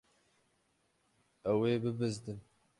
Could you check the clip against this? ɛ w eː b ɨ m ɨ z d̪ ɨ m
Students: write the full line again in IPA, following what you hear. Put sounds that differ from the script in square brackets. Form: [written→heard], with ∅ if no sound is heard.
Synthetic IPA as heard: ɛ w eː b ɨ [m→b] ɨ z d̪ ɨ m